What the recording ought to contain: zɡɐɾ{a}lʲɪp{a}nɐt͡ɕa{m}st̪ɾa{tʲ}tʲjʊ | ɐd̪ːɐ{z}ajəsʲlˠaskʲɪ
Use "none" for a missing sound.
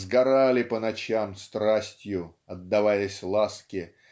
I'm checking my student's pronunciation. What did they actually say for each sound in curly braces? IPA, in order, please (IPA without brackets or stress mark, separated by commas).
a, ə, m, sʲ, v